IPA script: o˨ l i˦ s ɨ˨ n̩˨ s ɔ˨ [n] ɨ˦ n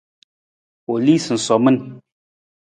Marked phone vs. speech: incorrect: m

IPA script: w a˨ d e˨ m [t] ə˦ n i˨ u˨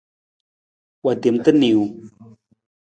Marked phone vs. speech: correct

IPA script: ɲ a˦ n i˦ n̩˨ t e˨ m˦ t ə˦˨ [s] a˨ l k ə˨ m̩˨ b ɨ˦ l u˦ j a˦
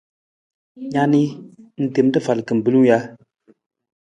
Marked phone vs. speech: incorrect: f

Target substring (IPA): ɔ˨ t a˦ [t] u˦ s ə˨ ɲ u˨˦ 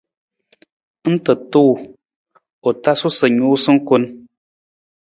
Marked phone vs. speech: incorrect: s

